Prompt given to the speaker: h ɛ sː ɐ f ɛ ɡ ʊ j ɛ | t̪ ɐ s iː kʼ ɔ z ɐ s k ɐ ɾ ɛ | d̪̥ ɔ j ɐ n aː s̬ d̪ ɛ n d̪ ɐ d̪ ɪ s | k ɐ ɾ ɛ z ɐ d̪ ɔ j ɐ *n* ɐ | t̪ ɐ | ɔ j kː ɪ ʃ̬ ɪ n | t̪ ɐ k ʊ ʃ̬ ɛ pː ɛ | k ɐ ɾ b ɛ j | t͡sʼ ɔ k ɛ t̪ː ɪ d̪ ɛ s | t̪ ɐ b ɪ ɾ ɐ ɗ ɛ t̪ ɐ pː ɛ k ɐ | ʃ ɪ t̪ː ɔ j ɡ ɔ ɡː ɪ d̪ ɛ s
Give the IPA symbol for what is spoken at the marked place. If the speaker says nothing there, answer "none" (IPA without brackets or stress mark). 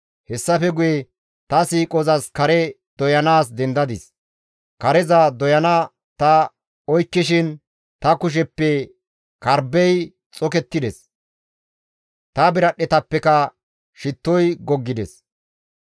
n